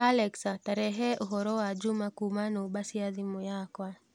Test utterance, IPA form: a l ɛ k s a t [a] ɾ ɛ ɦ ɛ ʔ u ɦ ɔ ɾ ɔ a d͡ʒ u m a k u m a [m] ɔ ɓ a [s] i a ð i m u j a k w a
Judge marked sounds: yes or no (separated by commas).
yes, no, yes